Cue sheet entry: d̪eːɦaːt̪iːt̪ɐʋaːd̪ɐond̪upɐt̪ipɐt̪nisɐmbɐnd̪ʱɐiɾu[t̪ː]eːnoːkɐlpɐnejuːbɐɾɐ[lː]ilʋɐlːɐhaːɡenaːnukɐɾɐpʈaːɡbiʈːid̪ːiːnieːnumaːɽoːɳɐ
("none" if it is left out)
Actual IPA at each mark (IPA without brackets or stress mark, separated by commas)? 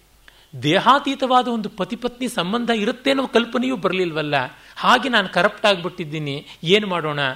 t̪ː, l